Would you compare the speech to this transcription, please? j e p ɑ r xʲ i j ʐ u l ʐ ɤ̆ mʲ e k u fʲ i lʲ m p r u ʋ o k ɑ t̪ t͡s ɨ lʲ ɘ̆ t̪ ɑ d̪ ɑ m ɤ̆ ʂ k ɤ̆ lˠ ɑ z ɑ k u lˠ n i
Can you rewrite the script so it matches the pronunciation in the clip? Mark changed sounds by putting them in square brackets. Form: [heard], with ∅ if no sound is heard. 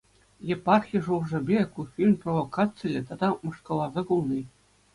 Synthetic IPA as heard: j e p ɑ r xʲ i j ʐ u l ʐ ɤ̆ [bʲ] e k u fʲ i lʲ m p r [o] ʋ o k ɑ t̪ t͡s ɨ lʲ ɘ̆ t̪ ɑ d̪ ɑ m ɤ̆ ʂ k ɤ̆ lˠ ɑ z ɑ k u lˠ n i